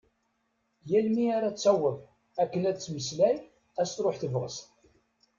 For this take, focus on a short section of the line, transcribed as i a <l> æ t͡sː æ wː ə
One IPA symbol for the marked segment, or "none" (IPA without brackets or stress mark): ɾ